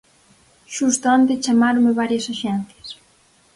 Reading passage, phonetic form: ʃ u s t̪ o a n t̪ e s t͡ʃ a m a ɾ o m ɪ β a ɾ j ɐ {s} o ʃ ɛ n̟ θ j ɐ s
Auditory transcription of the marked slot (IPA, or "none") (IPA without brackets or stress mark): s